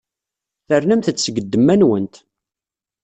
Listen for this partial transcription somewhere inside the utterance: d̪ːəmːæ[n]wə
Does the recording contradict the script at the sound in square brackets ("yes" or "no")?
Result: no